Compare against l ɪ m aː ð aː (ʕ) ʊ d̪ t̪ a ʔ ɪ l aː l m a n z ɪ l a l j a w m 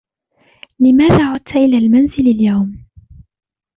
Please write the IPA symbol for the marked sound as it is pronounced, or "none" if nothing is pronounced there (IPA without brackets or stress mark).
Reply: ʕ